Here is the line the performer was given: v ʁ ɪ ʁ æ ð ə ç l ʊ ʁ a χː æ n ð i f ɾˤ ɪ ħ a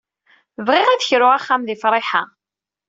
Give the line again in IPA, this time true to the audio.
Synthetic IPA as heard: v ʁ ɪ ʁ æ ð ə ç ɾ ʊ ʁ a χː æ m ð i f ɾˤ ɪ ħ a